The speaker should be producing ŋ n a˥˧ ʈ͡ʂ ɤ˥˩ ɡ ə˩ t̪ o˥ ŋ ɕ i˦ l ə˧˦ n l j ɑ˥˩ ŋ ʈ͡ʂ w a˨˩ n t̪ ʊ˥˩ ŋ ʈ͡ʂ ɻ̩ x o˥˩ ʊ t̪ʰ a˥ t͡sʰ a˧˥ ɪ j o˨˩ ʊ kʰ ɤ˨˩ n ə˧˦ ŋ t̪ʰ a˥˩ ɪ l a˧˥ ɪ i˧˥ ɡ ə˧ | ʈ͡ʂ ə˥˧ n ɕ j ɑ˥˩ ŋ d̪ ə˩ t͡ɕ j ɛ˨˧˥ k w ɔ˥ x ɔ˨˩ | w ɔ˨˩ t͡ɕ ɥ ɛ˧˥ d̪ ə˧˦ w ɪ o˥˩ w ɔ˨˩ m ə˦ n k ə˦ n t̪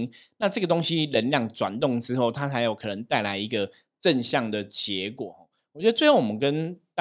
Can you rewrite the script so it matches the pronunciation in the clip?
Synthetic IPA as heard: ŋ n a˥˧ ʈ͡ʂ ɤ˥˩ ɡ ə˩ t̪ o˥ ŋ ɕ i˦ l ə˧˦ n l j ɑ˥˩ ŋ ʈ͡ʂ w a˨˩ n t̪ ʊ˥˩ ŋ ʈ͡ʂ ɻ̩ x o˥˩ ʊ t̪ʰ a˥ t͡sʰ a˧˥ ɪ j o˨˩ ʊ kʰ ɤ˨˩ n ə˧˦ ŋ t̪ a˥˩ ɪ l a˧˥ ɪ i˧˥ ɡ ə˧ | ʈ͡ʂ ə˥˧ n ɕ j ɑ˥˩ ŋ d̪ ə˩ t͡ɕ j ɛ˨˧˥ k w ɔ˨˩˦ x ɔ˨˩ | w ɔ˨˩ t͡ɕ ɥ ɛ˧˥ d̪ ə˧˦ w ɪ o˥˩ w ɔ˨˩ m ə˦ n k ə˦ n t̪